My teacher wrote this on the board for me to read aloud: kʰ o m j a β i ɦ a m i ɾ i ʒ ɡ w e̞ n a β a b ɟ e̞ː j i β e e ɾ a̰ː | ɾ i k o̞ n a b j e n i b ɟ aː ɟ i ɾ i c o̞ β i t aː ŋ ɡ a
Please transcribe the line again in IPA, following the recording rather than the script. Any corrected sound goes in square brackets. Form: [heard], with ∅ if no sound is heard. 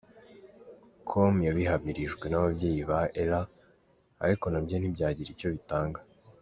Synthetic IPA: kʰ o m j a β i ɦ a m i ɾ i ʒ ɡ w e̞ n a β a b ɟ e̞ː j i β [a] e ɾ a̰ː | ɾ i k o̞ n a b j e n i b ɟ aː ɟ i ɾ i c o̞ β i t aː ŋ ɡ a